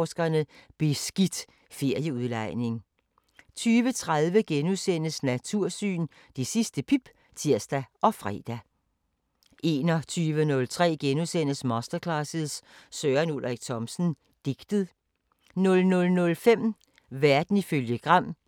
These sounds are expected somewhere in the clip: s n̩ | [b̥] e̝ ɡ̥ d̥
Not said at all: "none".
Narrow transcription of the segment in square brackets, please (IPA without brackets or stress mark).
d̥